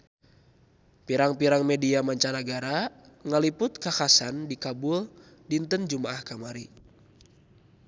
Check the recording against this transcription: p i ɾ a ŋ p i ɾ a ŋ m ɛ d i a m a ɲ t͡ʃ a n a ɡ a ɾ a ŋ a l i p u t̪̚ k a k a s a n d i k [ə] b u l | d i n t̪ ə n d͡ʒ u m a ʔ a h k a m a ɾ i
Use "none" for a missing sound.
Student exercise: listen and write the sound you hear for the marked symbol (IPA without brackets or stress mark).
a